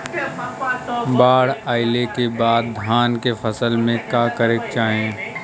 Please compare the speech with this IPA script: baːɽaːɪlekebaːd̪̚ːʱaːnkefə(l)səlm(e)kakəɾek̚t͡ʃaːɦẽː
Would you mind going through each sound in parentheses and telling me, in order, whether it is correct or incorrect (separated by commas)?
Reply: incorrect, incorrect